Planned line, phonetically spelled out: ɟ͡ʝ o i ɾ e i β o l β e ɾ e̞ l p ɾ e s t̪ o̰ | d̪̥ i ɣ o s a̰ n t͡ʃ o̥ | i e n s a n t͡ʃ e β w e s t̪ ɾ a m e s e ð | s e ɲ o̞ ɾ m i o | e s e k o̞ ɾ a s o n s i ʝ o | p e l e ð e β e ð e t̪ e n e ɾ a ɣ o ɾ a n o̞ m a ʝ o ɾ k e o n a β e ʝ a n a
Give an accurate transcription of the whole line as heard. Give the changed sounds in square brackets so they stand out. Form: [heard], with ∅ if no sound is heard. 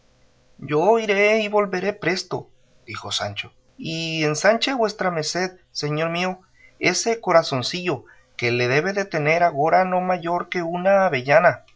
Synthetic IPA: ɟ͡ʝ o i ɾ e i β o l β e ɾ e̞ [∅] p ɾ e s t̪ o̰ | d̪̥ i [x] o s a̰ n t͡ʃ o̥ | i e n s a n t͡ʃ e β w e s t̪ ɾ a m e s e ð | s e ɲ o̞ ɾ m i o | e s e k o̞ ɾ a s o n s i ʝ o | [k] e l e ð e β e ð e t̪ e n e ɾ a ɣ o ɾ a n o̞ m a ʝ o ɾ k e [u] n a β e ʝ a n a